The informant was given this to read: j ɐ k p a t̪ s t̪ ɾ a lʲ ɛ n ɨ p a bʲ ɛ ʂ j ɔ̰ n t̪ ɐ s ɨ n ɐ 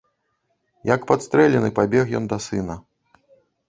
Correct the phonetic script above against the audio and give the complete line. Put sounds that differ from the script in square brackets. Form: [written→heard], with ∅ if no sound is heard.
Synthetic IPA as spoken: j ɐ k p a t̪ s t̪ ɾ [a→ɛ] lʲ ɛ n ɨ p a bʲ ɛ [ʂ→x] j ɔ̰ n [t̪→d̪] ɐ s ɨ n ɐ